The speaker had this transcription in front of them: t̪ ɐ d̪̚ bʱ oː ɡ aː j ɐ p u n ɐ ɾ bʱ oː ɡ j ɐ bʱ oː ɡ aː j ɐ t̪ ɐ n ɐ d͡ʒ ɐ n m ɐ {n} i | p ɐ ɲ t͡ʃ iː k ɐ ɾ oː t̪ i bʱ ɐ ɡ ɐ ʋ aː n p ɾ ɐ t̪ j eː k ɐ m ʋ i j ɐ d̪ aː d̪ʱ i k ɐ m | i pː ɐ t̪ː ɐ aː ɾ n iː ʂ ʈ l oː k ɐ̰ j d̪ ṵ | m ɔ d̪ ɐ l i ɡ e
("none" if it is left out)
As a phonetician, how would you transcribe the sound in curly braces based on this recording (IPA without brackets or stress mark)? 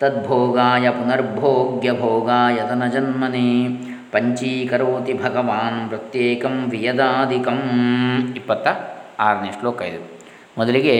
n